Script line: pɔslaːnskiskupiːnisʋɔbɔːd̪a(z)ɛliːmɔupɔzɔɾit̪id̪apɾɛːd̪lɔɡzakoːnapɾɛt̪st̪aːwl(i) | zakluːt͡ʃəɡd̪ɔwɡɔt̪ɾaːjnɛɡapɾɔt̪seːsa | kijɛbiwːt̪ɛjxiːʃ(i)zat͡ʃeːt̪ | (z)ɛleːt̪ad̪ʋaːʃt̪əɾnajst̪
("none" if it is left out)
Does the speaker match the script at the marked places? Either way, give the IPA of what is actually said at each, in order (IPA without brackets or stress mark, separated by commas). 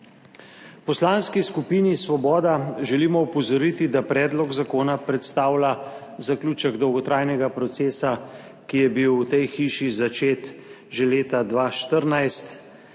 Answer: ʒ, a, i, ʒ